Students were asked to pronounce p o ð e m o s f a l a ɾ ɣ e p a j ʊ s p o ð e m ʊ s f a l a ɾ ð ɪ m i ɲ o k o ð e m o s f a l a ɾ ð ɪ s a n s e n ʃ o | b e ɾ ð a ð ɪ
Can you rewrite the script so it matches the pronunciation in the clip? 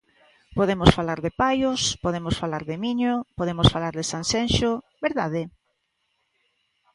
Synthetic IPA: p o ð e m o s f a l a ɾ ð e p a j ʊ s p o ð e m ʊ s f a l a ɾ ð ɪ m i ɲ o p o ð e m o s f a l a ɾ ð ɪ s a n s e n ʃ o | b e ɾ ð a ð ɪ

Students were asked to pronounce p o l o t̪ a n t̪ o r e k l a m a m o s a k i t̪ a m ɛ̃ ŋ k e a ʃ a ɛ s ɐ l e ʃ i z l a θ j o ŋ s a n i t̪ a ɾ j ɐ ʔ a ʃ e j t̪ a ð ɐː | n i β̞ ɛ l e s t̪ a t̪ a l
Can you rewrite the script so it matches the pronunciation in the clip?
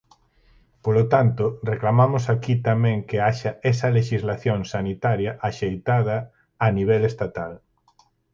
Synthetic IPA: p o l o t̪ a n t̪ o r e k l a m a m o s a k i t̪ a m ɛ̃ ŋ k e a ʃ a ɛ s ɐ l e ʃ i z l a θ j o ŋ s a n i t̪ a ɾ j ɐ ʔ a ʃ e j t̪ a ð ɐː | n i β̞ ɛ l e s t̪ a t̪ a l

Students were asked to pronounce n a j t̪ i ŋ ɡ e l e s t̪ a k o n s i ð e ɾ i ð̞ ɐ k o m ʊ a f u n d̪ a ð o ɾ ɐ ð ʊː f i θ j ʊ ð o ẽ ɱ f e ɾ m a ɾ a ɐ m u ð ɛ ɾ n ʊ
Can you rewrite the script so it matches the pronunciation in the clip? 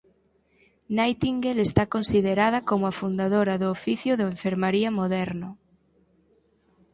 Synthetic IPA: n a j t̪ i ŋ ɡ e l e s t̪ a k o n s i ð e ɾ a ð̞ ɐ k o m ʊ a f u n d̪ a ð o ɾ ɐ ð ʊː f i θ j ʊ ð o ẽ ɱ f e ɾ m a ɾ i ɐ m o ð ɛ ɾ n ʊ

